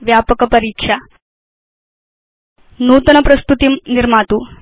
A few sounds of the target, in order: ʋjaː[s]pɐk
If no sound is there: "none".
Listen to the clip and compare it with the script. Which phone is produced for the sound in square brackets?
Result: none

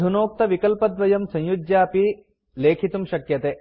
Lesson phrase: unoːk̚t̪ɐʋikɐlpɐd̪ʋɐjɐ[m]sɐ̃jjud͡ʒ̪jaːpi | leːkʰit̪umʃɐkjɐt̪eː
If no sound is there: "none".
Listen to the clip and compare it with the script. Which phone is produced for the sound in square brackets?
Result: m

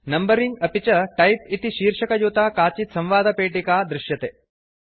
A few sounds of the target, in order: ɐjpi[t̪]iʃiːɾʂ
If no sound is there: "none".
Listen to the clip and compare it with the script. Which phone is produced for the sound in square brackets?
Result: t̪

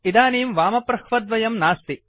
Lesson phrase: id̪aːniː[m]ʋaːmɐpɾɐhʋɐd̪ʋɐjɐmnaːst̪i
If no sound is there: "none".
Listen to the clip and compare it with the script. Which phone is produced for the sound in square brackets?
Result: m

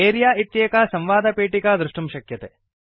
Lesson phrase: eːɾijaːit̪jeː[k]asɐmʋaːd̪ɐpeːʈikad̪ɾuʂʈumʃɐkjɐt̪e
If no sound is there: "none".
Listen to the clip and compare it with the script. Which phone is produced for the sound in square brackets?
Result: k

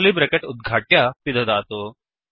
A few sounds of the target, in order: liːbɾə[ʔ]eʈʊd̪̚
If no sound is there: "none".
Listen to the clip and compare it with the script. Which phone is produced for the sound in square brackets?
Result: k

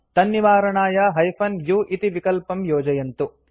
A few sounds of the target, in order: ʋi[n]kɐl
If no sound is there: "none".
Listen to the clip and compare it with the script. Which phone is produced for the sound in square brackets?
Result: none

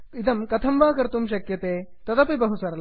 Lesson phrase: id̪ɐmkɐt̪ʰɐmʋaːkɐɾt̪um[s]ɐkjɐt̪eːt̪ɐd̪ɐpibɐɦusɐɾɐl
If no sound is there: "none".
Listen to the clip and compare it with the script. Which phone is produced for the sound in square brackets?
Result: ʃ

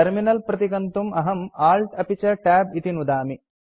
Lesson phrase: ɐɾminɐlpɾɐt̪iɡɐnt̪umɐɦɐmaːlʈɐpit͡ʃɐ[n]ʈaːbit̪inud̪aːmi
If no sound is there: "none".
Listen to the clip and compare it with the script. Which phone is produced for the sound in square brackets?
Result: none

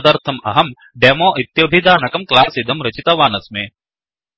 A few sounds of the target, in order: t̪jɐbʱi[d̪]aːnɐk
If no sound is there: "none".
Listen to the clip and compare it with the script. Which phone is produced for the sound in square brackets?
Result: d̪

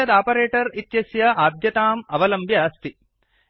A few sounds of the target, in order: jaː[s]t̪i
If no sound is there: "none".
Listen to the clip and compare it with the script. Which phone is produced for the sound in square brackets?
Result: s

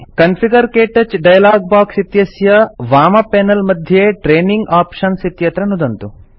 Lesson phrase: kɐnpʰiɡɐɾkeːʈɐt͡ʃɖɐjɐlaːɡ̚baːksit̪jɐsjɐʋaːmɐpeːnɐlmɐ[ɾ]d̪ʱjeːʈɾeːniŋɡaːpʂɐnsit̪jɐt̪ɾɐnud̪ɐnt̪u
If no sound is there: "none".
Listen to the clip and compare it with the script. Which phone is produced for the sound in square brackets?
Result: none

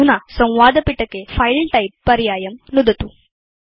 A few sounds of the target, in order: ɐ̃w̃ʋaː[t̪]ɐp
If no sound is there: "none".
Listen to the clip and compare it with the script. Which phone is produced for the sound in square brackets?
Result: d̪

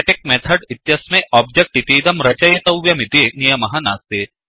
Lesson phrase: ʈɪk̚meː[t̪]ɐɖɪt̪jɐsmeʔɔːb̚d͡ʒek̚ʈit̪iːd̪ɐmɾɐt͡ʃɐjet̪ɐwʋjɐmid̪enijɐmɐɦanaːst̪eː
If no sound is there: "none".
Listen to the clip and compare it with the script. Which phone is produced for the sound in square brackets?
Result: t̪ʰ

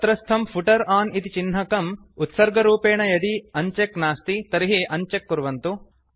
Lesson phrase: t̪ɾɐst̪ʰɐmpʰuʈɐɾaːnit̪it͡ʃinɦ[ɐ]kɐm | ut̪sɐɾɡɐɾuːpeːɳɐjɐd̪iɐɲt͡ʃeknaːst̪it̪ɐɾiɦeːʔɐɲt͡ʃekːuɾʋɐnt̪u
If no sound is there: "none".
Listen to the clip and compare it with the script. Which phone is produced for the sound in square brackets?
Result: ɐ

